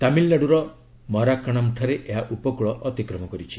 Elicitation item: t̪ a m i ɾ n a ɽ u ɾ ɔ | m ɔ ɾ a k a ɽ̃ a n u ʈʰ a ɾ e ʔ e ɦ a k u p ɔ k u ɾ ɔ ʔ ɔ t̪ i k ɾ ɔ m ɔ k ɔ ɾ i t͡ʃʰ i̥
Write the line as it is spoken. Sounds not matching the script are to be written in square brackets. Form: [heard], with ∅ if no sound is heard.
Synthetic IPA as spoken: t̪ a m i [l] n a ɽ u ɾ ɔ | m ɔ ɾ a k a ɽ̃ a [m] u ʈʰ a ɾ e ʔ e ɦ a [ʔ] u p ɔ k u [ɭ] ɔ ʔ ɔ t̪ i k ɾ ɔ m ɔ k ɔ ɾ i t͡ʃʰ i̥